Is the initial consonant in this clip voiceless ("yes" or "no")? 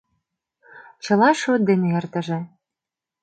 yes